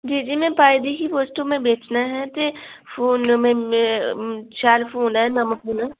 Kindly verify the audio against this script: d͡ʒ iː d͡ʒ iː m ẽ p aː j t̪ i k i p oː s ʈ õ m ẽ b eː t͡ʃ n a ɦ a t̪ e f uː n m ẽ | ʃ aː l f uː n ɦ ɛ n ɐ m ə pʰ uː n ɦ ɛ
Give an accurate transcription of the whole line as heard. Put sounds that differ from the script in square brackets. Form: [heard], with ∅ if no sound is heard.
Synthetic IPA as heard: d͡ʒ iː d͡ʒ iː m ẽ p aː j [d̪] i k i p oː s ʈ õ m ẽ b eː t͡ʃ n a ɦ [ɛ] t̪ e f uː n m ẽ | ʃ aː l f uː n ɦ ɛ n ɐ m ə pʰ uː n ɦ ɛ